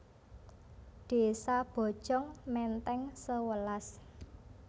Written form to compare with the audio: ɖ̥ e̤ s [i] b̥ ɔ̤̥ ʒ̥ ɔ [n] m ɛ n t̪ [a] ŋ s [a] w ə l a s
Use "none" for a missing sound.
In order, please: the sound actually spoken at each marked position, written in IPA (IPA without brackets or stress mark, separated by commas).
a, ŋ, ɛ, ə